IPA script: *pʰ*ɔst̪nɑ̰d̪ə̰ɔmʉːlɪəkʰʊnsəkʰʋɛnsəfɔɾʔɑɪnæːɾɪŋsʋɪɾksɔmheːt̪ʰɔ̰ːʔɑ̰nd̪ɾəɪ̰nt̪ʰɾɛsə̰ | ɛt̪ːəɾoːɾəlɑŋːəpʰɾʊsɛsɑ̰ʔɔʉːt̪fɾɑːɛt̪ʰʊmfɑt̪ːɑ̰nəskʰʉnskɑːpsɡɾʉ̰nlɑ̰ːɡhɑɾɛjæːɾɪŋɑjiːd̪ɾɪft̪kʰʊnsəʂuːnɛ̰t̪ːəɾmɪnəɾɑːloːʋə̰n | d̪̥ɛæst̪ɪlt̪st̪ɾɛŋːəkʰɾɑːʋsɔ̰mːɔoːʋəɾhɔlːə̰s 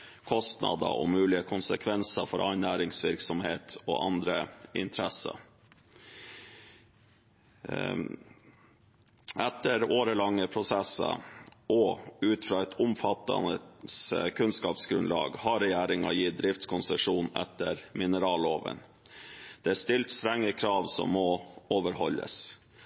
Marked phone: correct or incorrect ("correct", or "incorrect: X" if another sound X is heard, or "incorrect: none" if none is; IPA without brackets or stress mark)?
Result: incorrect: kʰ